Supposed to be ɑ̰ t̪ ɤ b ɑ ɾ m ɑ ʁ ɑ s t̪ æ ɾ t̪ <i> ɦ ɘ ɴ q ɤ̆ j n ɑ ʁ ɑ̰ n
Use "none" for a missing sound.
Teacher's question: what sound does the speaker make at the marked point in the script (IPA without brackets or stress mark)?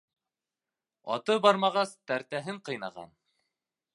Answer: æ